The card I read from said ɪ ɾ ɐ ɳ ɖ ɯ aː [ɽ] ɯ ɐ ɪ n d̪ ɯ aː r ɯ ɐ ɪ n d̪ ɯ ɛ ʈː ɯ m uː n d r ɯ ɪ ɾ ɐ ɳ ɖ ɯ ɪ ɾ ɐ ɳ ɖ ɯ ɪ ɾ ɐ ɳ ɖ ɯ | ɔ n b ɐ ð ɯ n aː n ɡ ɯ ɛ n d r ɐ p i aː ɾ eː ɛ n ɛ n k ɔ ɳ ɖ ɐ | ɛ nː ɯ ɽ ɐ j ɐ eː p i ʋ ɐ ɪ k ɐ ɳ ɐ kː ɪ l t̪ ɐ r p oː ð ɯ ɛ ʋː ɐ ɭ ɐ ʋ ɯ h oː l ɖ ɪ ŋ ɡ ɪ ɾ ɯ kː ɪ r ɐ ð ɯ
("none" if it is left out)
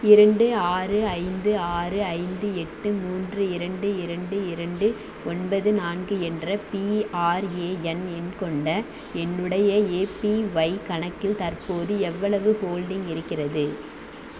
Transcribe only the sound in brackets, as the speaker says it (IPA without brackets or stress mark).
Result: r